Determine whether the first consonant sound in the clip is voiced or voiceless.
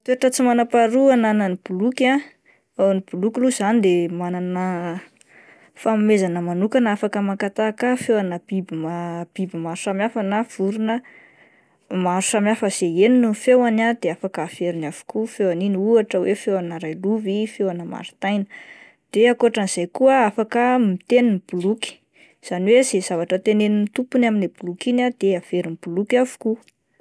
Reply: voiceless